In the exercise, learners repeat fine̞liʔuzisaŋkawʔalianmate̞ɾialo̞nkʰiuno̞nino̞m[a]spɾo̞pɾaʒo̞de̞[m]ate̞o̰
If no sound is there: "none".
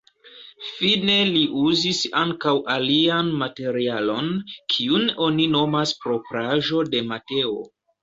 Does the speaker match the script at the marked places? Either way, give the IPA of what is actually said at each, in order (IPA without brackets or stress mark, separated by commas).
a, m